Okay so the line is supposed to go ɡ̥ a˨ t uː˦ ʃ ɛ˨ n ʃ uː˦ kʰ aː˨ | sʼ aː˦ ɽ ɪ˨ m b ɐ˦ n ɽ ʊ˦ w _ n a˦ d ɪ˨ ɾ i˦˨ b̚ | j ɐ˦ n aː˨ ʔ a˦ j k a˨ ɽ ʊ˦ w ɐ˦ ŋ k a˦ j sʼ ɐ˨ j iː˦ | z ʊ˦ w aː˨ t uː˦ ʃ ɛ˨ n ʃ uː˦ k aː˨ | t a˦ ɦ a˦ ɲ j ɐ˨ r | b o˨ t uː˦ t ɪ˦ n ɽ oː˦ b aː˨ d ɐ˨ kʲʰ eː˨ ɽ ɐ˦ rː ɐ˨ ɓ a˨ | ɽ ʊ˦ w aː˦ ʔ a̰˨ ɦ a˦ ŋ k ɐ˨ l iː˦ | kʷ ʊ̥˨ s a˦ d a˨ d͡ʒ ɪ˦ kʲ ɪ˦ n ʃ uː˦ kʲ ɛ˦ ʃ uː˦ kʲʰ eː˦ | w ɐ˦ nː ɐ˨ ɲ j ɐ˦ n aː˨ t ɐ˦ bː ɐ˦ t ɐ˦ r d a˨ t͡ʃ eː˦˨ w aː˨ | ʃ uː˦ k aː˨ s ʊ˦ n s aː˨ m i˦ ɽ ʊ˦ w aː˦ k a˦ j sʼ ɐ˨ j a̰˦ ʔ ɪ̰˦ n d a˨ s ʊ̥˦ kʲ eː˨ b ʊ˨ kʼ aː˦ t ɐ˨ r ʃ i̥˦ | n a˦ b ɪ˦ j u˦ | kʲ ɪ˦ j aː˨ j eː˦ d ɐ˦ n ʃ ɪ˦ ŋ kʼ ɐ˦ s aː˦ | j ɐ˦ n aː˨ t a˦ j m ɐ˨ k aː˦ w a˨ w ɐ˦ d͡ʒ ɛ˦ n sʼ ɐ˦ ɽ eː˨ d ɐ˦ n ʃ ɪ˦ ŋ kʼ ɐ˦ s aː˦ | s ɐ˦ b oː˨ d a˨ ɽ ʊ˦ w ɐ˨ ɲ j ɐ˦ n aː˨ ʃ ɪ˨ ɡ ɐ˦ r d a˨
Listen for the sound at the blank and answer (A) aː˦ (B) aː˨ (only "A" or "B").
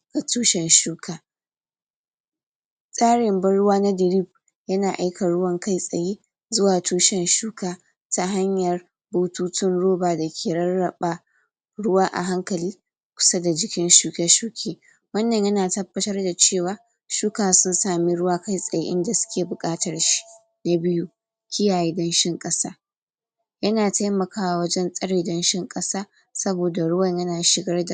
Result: A